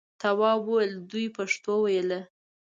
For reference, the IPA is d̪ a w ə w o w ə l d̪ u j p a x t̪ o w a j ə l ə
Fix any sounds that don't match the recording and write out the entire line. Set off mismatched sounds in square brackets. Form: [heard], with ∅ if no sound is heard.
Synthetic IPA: [t̪] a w [ɑ] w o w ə l d̪ u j p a [ʂ] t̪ o w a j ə l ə